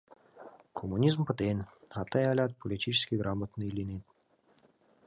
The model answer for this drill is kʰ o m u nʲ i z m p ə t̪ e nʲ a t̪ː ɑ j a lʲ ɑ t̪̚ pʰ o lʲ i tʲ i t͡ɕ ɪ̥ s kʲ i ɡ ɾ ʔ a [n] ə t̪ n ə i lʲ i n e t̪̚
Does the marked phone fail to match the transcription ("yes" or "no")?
yes